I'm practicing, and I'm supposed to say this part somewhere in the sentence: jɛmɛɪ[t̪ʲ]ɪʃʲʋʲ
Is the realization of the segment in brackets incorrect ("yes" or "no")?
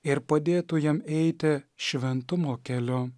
no